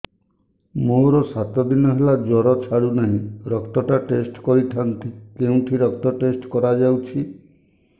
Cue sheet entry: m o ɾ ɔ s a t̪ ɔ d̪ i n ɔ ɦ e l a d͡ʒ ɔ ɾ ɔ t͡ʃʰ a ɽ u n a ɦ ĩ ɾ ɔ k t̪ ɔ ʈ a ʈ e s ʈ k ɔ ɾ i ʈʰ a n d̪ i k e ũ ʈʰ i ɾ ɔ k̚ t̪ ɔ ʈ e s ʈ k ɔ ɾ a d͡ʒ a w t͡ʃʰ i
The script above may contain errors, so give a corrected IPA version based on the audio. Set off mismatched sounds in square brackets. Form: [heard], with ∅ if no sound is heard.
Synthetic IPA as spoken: m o ɾ ɔ s a t̪ ɔ d̪ i n ɔ ɦ e l a d͡ʒ ɔ ɾ ɔ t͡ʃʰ a ɽ u n a ɦ ĩ ɾ ɔ k t̪ ɔ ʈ a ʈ e s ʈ k ɔ ɾ i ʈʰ a n [t̪] i k e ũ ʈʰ i ɾ ɔ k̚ t̪ ɔ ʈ e s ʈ k ɔ ɾ a d͡ʒ a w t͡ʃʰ i